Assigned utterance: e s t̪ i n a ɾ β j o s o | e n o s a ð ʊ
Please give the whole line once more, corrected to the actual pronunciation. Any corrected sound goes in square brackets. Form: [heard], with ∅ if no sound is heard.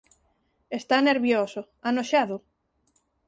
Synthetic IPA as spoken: e s t̪ [a] n [e] ɾ β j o s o | [a] n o [ʃ] a ð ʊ